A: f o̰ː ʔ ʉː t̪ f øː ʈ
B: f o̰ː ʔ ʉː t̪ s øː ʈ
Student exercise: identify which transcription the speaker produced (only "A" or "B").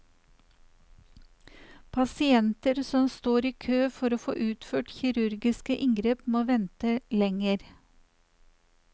A